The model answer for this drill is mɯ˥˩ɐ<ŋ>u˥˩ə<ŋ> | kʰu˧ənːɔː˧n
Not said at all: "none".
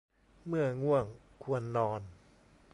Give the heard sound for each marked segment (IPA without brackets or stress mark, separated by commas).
ŋ, ŋ